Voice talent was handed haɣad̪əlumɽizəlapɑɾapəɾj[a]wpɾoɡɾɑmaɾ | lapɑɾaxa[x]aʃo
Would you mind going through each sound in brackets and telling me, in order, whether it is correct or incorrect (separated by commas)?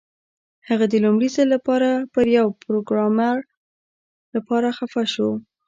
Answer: correct, incorrect